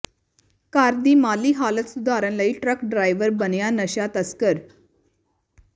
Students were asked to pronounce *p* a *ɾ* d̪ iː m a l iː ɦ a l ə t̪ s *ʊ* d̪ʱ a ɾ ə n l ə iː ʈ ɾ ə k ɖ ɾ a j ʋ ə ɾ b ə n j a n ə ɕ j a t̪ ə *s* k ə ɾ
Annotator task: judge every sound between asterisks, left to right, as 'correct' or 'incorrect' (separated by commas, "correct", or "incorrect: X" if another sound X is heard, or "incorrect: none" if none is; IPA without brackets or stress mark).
incorrect: k, correct, incorrect: u, correct